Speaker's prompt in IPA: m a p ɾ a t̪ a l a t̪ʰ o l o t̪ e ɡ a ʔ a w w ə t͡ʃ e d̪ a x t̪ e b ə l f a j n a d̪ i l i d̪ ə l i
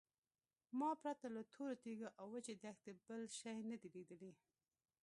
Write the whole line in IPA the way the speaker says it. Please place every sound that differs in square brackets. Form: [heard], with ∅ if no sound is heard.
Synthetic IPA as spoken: m [ɑ] p ɾ a t̪ a l a t̪ʰ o [ɾ] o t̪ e ɡ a ʔ a w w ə t͡ʃ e d̪ a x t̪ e b ə l [ʃ] a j n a d̪ i l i d̪ ə l i